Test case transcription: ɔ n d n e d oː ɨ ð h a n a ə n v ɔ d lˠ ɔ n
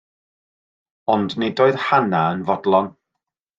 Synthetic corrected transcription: ɔ n d n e d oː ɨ ð h a n a ə n v ɔ d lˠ ɔ n